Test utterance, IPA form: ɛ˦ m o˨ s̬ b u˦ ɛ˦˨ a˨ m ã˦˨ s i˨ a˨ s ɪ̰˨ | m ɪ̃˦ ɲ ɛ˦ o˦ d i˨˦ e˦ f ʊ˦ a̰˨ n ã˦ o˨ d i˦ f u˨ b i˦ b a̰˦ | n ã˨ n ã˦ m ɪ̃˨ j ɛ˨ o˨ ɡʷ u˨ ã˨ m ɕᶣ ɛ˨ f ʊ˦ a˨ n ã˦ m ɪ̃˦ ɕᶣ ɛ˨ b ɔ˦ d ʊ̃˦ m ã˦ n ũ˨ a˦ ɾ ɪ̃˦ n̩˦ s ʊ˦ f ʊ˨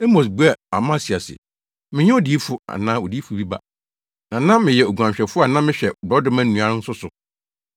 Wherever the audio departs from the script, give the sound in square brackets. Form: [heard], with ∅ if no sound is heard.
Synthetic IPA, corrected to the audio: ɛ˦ m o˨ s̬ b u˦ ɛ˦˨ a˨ m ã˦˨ s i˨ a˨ s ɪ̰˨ | m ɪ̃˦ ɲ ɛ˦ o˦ d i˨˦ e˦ f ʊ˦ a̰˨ n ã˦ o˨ d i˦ f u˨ b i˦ b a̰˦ | n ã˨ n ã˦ m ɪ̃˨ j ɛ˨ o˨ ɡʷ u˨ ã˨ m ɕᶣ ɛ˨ f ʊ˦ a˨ n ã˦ m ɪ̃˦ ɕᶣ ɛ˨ b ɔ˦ d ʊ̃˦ m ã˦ n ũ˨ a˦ ɾ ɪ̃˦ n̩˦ s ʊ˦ [s] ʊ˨